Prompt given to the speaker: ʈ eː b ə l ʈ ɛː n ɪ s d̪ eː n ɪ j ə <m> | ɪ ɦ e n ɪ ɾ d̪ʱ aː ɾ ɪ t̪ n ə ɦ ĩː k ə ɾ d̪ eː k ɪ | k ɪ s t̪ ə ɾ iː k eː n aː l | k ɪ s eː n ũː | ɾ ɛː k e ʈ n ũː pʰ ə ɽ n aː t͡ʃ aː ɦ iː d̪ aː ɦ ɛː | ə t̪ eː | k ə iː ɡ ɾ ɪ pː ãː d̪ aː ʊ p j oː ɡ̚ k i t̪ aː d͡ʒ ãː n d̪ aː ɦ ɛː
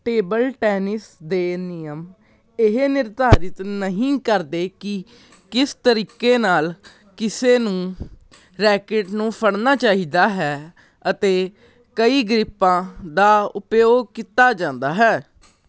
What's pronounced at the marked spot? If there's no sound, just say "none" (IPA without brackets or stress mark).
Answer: m